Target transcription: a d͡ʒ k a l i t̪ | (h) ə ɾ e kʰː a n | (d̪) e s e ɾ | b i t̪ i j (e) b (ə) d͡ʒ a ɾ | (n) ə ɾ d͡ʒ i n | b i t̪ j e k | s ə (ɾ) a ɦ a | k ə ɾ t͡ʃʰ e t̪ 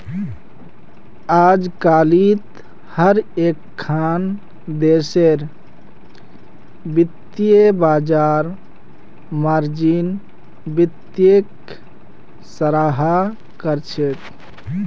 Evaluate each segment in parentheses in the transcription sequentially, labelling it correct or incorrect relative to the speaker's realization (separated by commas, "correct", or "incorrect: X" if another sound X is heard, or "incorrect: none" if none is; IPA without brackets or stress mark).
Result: correct, correct, correct, incorrect: a, incorrect: m, correct